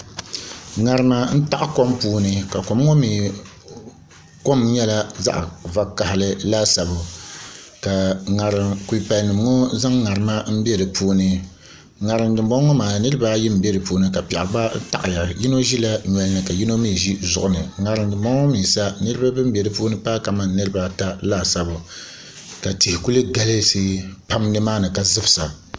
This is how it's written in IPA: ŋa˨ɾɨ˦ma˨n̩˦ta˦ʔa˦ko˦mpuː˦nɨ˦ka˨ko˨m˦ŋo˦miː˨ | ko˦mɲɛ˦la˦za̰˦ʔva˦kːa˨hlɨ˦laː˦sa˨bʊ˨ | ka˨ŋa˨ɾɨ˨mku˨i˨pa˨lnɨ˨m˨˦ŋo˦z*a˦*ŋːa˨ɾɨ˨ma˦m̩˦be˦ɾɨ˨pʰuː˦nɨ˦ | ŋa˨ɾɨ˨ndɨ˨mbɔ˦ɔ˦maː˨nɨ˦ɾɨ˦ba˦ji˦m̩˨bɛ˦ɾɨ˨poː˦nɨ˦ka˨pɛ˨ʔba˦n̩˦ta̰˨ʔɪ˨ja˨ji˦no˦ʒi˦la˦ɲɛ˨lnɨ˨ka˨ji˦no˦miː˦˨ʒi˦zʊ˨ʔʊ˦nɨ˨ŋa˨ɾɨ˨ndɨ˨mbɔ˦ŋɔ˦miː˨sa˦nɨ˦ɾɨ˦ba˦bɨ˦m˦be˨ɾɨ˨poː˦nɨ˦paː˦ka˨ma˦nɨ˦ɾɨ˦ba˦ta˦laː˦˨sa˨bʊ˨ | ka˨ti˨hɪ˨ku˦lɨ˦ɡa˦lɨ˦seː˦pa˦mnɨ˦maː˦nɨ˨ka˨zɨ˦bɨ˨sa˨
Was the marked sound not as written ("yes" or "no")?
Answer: no